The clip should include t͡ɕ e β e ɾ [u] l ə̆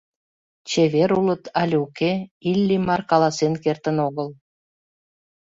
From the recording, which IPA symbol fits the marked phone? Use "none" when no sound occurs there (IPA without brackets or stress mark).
u